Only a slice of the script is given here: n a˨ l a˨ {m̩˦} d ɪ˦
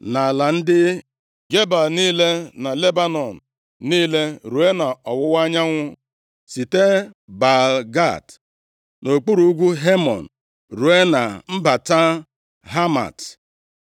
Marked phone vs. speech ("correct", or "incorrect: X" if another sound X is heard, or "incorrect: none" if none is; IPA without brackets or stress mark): incorrect: n̩˦